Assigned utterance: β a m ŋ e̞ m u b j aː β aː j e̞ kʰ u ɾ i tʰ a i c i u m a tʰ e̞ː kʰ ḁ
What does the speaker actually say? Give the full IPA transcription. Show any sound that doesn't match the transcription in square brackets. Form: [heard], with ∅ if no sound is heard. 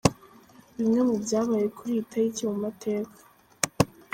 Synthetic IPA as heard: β [i] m ŋ e̞ m u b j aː β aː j e̞ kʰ u ɾ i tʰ a i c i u m a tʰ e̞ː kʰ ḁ